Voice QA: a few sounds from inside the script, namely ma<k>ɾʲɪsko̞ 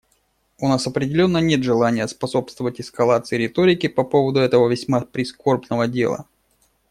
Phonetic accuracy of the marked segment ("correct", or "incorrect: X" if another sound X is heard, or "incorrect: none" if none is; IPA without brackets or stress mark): incorrect: p